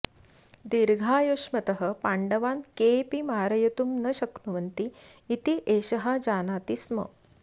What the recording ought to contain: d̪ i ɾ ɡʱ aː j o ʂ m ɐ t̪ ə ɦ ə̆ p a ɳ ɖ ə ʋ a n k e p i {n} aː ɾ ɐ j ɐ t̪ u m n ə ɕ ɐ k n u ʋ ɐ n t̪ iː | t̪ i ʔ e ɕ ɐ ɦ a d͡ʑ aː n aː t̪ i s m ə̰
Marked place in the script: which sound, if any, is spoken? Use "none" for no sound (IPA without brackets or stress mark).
m